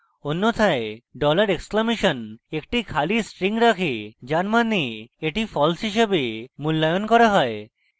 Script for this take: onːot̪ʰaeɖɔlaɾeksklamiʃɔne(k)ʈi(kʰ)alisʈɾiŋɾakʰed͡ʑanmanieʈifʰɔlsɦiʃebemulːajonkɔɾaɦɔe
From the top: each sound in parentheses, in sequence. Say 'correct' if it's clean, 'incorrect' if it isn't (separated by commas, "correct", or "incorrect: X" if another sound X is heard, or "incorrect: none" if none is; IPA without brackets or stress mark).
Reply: correct, correct